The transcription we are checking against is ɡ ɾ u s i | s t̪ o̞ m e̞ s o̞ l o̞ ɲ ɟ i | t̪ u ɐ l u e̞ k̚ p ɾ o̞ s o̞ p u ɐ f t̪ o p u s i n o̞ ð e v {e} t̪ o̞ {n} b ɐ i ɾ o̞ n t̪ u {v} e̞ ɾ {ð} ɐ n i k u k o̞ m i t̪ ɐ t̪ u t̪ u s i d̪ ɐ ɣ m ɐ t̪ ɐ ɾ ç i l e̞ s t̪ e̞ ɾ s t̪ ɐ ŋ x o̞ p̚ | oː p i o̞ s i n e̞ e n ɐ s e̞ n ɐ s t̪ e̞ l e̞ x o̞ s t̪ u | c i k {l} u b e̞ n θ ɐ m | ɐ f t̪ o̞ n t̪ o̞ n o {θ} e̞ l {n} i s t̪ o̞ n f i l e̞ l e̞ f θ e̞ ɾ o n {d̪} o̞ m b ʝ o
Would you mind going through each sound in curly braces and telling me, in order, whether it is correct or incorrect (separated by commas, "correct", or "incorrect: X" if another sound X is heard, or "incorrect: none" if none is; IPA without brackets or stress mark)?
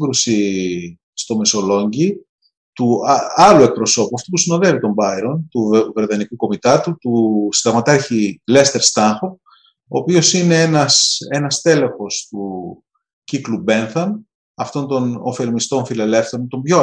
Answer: incorrect: i, incorrect: m, correct, correct, correct, incorrect: f, incorrect: m, incorrect: t̪